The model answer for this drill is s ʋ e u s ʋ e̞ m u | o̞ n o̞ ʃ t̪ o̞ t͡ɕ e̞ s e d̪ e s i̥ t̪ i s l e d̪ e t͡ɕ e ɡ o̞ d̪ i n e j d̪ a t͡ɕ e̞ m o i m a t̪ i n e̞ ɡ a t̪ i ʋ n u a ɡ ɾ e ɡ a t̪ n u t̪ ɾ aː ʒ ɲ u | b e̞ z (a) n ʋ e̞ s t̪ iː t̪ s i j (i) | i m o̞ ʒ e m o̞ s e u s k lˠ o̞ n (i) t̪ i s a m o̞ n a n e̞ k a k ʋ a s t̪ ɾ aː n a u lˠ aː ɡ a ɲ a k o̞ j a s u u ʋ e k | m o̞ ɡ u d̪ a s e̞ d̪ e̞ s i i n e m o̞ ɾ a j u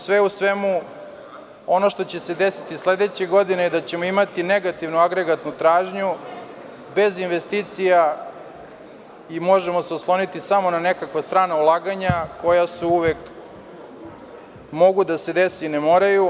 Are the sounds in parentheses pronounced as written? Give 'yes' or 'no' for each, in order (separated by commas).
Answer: no, no, yes